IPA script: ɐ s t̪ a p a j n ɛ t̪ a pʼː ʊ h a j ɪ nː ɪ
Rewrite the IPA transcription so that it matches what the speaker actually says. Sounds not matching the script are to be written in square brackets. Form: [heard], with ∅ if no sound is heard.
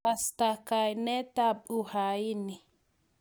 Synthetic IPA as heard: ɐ s t̪ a [k] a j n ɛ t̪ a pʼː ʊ h a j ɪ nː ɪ